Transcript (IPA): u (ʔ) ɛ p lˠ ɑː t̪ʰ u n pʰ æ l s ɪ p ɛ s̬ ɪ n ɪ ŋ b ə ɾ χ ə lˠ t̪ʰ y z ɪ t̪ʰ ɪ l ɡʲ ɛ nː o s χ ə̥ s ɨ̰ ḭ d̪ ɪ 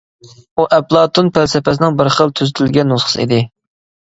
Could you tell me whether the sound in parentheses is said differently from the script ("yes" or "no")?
no